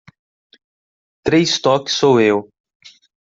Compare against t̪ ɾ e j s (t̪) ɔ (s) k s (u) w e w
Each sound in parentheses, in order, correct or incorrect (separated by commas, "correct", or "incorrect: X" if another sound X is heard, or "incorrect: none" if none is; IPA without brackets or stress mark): correct, incorrect: none, incorrect: o